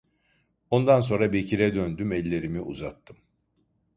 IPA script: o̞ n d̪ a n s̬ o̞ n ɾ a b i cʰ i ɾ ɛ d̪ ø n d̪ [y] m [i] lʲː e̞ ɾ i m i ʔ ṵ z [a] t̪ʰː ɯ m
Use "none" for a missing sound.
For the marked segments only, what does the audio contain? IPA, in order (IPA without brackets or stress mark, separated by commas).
y, ɛ, a